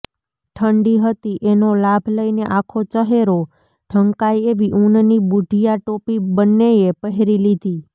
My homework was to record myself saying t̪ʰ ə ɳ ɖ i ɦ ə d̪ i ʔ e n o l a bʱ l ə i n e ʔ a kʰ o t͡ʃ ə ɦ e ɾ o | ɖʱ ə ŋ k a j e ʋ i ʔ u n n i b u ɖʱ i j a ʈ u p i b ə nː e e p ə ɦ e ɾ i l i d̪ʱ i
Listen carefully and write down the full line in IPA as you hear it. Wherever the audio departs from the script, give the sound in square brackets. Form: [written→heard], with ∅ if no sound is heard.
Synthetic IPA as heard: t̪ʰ ə ɳ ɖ i ɦ ə [d̪→t̪] i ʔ e n o l a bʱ l ə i n e ʔ a kʰ o t͡ʃ ə ɦ e ɾ o | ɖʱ ə ŋ k a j e ʋ i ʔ u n n i b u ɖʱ i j a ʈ [u→o] p i b ə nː e e p ə ɦ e ɾ i l i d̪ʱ i